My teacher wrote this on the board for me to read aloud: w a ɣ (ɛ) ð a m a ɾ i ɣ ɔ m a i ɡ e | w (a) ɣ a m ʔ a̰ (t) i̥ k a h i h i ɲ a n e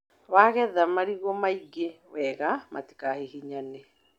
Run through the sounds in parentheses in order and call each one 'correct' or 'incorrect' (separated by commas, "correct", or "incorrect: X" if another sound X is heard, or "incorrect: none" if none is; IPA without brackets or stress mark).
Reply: correct, incorrect: ɛ, correct